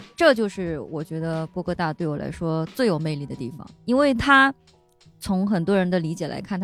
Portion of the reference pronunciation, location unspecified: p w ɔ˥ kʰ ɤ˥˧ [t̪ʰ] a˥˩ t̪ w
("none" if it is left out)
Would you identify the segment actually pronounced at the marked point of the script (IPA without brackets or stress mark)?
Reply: t̪